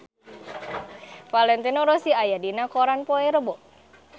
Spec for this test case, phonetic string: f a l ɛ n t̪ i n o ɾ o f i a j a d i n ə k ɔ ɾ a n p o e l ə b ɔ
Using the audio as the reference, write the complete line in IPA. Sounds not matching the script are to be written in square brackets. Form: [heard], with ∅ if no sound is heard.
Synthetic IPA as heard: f a l ɛ n t̪ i n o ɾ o [s] i a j a d i n [a] k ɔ ɾ a n p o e [ɾ] ə b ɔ